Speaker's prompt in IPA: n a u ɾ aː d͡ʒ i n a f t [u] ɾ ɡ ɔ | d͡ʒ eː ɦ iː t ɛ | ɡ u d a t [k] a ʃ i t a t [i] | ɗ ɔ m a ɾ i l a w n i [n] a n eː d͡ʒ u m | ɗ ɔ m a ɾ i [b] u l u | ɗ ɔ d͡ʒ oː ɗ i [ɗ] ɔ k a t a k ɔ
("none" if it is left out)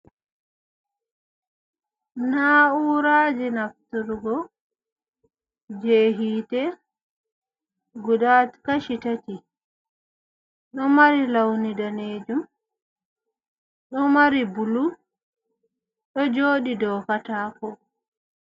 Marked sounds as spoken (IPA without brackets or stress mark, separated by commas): u, k, i, d, b, d